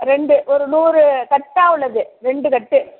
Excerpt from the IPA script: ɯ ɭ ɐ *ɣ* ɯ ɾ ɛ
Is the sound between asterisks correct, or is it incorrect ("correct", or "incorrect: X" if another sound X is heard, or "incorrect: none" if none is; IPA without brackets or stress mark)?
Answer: incorrect: ð